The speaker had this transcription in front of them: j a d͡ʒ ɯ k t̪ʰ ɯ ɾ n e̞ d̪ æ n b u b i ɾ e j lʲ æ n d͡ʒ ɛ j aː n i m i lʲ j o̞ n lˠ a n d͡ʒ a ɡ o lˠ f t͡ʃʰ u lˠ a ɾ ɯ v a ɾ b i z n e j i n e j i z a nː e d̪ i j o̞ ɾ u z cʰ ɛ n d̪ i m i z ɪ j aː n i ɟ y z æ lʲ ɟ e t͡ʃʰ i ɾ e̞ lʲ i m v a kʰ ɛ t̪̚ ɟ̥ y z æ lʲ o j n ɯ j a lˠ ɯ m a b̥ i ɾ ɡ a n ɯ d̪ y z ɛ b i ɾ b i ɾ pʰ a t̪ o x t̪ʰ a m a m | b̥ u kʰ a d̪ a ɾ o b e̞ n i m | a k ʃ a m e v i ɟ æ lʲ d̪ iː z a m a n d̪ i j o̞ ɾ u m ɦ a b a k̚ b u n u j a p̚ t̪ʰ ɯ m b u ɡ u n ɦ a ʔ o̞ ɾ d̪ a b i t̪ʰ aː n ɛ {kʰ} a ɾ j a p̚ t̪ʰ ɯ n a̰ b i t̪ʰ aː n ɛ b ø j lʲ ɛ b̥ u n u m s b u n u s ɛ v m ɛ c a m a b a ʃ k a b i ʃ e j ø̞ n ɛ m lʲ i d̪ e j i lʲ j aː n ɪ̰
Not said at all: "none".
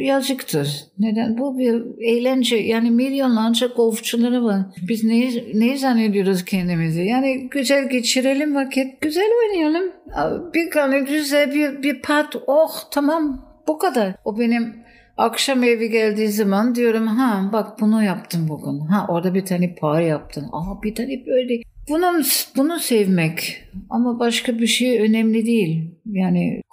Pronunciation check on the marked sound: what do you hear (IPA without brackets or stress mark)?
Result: pʰ